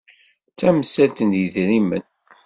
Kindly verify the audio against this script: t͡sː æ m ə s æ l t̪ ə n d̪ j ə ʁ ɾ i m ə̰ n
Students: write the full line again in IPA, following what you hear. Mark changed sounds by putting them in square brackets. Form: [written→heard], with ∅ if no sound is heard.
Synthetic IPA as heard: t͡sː æ m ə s æ l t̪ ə n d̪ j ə [ʁ→ð] ɾ i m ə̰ n